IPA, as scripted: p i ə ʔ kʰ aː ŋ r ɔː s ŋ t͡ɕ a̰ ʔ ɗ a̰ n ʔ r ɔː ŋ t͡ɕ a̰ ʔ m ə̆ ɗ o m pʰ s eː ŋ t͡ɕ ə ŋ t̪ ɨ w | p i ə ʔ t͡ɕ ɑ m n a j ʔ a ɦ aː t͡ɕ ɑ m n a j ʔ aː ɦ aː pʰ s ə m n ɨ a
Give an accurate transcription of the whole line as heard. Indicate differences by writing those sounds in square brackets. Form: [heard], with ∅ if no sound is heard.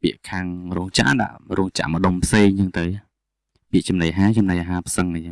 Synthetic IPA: p i ə ʔ kʰ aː ŋ r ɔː [∅] ŋ t͡ɕ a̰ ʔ ɗ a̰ [∅] ʔ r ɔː ŋ t͡ɕ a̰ ʔ m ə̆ ɗ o m pʰ s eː ŋ t͡ɕ ə ŋ t̪ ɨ w | p i ə ʔ t͡ɕ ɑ m n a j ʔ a ɦ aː t͡ɕ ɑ m n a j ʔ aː ɦ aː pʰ s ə [ŋ] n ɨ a